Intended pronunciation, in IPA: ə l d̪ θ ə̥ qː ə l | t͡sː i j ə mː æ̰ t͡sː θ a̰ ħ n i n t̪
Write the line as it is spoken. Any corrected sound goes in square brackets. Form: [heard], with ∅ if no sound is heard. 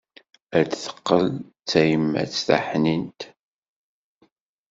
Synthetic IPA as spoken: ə [ɾ] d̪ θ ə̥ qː ə l | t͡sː [æ] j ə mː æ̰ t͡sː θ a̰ ħ n i n t̪